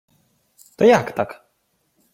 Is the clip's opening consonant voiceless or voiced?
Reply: voiceless